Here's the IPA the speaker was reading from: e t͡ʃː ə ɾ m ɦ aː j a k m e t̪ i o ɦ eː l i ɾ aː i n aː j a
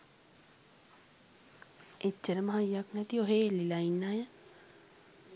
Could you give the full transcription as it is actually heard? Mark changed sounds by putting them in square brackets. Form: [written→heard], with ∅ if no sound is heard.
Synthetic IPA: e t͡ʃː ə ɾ m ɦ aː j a k [m→n] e t̪ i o ɦ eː l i [ɾ→l] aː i n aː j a